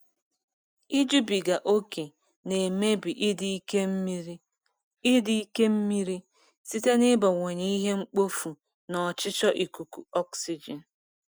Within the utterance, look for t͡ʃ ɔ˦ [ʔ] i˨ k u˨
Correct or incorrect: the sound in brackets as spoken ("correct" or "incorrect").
correct